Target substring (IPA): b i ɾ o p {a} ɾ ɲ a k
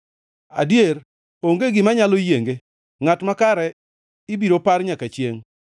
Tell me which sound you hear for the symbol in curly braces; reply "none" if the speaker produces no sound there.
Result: a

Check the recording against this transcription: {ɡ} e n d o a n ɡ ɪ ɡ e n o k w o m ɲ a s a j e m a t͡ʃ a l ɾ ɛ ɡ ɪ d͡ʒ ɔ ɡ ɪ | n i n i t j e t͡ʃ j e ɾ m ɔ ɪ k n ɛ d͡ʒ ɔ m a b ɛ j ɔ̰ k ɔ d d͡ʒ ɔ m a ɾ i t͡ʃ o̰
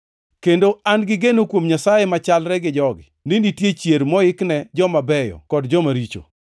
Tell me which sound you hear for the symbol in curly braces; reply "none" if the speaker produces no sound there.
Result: k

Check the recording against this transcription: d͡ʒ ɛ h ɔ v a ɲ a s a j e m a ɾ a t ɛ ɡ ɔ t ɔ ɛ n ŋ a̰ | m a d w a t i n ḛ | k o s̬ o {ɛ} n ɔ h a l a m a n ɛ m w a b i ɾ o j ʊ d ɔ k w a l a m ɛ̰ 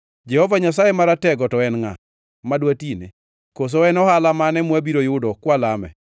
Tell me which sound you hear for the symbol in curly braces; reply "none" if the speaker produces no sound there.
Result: ɛ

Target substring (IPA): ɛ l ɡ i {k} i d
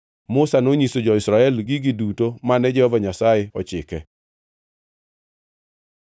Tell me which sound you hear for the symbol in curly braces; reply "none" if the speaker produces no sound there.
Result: ɡ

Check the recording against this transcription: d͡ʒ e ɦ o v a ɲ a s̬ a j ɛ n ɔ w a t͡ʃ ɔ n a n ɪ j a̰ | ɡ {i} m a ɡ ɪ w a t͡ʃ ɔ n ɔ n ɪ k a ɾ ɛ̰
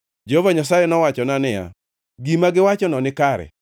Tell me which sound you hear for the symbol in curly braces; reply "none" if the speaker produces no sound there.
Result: i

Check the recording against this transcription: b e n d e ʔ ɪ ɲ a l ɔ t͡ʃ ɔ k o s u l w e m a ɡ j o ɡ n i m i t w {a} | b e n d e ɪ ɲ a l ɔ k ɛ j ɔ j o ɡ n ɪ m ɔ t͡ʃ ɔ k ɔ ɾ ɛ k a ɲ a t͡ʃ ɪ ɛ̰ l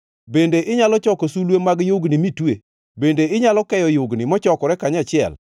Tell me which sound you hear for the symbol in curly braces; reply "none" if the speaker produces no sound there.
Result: e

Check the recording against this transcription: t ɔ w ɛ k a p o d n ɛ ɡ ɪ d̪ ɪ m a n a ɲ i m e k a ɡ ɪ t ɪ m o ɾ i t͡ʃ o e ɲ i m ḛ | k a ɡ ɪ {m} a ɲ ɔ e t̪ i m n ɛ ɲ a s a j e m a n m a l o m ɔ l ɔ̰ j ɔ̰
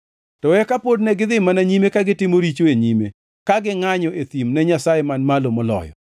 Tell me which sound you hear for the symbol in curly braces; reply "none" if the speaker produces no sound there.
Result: ŋ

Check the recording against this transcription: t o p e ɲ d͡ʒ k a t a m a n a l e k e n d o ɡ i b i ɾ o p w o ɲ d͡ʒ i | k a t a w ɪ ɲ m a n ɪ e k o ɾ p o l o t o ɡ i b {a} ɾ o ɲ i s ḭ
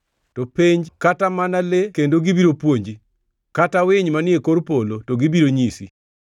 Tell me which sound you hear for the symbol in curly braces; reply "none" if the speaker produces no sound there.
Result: i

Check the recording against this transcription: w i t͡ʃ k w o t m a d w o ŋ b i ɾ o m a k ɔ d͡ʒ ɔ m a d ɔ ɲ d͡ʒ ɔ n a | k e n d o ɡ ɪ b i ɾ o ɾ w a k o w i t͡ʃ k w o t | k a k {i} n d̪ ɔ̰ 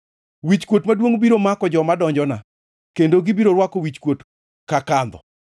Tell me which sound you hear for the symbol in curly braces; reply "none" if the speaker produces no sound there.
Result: a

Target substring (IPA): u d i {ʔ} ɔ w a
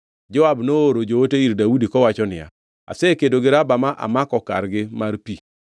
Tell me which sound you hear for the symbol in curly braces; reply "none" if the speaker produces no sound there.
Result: k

